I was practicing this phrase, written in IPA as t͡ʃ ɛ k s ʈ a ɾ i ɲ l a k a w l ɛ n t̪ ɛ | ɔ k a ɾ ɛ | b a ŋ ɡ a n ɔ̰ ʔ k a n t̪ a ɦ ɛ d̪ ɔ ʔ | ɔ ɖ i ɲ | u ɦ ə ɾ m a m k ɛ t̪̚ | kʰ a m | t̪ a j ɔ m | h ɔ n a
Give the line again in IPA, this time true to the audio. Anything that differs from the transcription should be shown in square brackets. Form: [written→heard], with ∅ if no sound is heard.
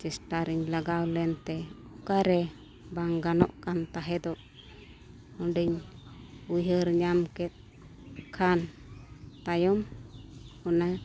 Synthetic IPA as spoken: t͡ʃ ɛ [k→∅] s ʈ a ɾ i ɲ l a [k→ɡ] a w l ɛ n t̪ ɛ | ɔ k a ɾ ɛ | b a ŋ ɡ a n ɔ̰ ʔ k a n t̪ a ɦ ɛ d̪ ɔ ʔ | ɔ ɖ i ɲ | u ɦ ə ɾ [m→ɲ] a m k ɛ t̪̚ | kʰ a [m→n] | t̪ a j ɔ m | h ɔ n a